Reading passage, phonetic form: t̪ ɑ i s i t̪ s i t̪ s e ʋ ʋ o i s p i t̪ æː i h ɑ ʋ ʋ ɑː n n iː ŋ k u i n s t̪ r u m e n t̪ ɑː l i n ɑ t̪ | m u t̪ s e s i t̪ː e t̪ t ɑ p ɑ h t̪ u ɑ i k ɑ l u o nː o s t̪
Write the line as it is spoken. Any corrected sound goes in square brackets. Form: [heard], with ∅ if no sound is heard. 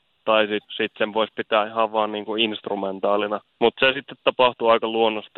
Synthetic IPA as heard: t̪ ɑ i s i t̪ s i t̪ s e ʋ ʋ o i s p i t̪ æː i h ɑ ʋ ʋ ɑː n n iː ŋ k u i n s t̪ r u m e n t̪ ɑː l i n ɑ [∅] | m u t̪ s e s i t̪ː e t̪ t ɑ p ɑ h t̪ u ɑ i k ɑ l u o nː o s t̪